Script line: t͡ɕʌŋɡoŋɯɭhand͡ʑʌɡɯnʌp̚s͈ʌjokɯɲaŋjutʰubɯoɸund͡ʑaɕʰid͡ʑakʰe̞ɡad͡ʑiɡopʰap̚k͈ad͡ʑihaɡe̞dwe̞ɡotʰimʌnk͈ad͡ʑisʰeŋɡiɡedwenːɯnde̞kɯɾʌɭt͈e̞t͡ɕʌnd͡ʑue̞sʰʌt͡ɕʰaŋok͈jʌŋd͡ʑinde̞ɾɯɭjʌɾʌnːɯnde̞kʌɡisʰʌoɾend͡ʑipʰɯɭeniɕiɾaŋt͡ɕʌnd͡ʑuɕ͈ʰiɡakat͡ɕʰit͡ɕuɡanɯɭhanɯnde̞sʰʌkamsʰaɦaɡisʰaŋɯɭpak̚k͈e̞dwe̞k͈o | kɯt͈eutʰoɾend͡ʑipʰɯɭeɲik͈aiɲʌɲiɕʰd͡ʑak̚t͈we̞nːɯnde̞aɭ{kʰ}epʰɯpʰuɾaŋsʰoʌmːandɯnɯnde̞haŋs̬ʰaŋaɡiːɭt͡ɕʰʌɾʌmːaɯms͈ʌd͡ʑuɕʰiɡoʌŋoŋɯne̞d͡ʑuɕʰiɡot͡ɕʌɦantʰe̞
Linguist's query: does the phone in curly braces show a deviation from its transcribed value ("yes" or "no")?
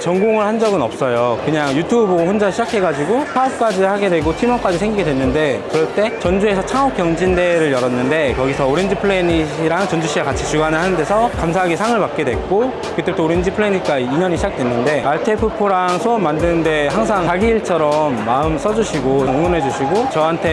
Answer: yes